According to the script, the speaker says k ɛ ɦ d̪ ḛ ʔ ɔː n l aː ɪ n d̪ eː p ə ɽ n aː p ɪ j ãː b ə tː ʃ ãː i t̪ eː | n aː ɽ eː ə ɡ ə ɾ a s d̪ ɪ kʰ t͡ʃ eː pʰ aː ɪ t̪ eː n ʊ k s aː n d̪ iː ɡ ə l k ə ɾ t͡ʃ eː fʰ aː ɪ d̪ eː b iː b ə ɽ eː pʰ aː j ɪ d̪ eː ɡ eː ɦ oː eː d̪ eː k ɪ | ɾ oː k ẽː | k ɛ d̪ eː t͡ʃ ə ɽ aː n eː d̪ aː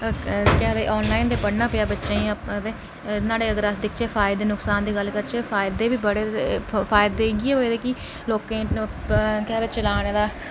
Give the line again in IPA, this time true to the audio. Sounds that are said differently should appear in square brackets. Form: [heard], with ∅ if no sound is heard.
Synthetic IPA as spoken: k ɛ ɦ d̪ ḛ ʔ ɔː n l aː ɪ n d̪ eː p ə ɽ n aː p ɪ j [aː] b ə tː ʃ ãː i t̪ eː | n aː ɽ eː ə ɡ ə ɾ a s d̪ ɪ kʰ t͡ʃ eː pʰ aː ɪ [d̪] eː n ʊ k s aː n d̪ iː ɡ ə l k ə ɾ t͡ʃ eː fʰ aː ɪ d̪ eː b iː b ə ɽ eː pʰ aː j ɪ d̪ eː ɡ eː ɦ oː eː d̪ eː k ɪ | [l] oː k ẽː | k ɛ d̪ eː t͡ʃ ə [l] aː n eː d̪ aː